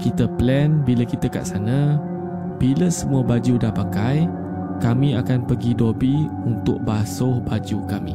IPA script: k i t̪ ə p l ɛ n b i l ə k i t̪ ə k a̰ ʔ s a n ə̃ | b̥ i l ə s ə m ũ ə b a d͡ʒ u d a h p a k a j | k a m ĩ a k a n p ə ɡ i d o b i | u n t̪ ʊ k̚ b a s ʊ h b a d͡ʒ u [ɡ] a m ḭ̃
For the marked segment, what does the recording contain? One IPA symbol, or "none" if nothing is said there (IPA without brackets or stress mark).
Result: k